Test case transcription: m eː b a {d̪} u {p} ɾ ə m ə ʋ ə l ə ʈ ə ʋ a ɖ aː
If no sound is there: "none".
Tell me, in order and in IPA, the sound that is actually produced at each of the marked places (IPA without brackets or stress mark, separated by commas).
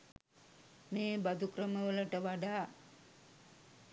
d̪, k